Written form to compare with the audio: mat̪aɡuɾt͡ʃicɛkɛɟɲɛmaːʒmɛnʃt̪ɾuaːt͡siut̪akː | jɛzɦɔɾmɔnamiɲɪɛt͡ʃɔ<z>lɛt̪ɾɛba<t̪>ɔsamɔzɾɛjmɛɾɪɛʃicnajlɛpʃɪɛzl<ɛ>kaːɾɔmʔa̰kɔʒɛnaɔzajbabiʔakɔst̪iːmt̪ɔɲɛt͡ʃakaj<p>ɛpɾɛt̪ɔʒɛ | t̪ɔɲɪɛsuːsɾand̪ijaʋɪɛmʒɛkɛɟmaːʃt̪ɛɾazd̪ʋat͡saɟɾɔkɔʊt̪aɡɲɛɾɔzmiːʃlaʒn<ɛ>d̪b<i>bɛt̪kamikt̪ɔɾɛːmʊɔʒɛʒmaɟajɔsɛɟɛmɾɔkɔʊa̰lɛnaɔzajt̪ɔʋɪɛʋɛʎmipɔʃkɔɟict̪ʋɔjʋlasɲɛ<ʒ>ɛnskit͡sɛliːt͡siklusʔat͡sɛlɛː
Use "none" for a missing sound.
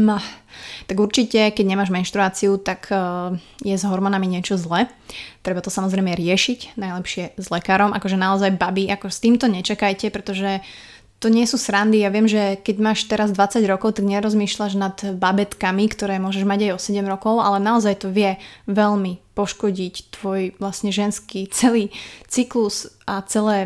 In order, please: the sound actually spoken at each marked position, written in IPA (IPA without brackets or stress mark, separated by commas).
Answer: z, t̪, ɛ, c, a, a, ʒ